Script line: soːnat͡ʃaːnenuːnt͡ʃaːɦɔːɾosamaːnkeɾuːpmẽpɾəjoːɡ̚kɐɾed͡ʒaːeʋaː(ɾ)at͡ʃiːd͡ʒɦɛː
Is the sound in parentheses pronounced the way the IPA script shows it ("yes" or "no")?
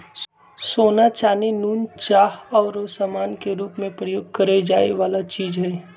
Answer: no